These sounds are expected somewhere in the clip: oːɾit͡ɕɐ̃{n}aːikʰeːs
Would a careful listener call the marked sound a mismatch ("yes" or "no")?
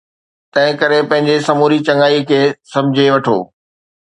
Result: yes